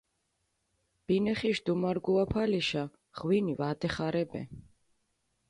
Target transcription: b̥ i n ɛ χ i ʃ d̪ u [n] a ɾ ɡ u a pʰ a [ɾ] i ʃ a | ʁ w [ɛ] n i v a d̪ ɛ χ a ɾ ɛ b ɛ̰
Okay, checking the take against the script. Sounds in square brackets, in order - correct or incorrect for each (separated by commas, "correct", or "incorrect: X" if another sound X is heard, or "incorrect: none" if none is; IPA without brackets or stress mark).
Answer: incorrect: m, incorrect: l, incorrect: i